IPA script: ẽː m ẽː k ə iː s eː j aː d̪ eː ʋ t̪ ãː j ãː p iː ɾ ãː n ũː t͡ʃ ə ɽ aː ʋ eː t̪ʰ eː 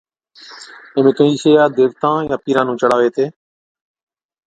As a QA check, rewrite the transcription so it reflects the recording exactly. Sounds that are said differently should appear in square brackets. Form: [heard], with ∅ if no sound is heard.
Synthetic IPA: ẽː m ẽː k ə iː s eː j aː d̪ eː ʋ t̪ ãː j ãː p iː ɾ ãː n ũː t͡ʃ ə ɽ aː ʋ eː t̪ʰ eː